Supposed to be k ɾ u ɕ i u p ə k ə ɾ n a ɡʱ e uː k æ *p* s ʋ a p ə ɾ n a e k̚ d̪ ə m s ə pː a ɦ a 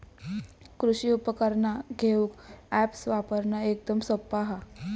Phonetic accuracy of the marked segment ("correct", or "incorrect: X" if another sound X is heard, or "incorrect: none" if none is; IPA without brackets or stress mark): correct